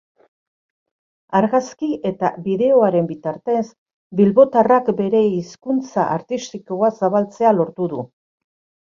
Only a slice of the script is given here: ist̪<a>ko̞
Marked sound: incorrect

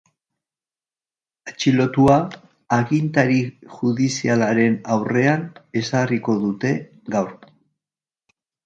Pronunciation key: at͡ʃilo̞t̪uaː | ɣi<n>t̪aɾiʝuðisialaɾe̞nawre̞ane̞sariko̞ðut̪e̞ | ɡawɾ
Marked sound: correct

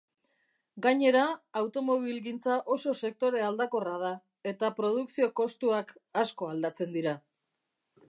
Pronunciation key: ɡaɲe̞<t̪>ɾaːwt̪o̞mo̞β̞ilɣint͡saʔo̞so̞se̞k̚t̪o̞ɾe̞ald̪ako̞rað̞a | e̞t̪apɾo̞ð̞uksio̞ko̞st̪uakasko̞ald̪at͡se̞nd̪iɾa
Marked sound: incorrect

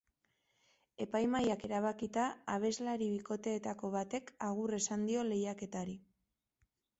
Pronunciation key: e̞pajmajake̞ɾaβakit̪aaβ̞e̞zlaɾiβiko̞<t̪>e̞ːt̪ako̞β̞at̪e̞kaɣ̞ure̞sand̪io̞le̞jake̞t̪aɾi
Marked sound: correct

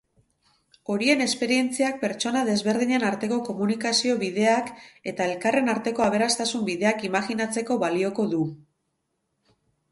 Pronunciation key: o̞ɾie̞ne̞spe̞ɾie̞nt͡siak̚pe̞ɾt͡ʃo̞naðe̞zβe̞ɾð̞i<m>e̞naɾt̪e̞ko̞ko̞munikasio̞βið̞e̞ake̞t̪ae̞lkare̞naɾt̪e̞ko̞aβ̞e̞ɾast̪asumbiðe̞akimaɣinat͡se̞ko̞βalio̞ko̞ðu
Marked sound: incorrect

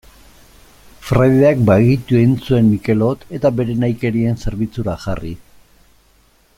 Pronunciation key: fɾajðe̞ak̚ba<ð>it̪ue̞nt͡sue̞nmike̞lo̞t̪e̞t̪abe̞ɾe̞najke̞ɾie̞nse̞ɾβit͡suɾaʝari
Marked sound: incorrect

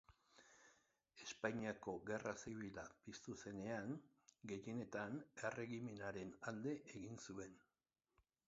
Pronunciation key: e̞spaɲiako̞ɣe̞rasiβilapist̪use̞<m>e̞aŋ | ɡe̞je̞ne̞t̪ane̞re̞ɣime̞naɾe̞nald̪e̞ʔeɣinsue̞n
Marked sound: incorrect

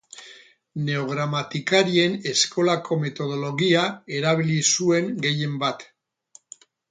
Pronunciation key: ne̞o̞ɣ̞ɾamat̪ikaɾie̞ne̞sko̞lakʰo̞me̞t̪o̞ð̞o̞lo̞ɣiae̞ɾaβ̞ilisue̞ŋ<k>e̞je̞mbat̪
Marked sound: incorrect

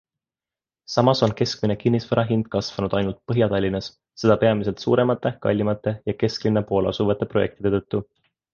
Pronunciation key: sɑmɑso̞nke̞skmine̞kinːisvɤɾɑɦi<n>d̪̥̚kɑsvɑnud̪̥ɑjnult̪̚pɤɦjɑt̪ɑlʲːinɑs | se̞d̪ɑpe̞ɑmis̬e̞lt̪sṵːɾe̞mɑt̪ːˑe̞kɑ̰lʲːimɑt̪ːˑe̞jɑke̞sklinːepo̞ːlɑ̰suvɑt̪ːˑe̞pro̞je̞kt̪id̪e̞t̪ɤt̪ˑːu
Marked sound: correct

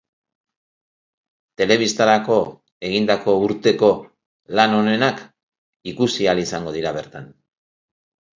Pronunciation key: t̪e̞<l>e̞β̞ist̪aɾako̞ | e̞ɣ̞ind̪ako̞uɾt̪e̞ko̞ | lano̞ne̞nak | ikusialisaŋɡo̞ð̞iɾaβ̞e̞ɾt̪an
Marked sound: correct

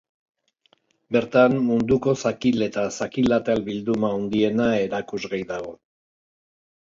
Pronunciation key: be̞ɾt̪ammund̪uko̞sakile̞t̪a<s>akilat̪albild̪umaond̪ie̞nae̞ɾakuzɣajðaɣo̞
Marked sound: correct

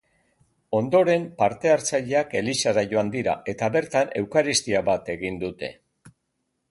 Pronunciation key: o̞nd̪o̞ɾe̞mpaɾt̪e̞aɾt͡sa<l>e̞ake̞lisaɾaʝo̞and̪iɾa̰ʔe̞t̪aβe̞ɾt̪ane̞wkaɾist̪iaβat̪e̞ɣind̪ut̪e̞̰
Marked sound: incorrect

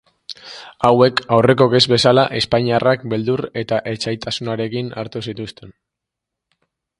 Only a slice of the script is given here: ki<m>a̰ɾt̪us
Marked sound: incorrect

